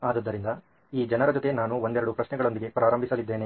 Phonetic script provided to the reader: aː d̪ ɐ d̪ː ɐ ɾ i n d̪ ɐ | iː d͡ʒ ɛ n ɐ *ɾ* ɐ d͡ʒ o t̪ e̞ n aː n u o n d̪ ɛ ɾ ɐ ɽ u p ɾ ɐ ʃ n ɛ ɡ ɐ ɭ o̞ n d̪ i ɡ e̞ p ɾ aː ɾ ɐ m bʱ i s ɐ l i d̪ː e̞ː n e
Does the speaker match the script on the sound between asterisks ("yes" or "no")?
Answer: yes